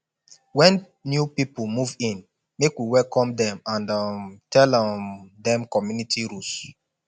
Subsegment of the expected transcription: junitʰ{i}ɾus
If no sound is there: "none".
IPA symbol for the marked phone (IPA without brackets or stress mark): i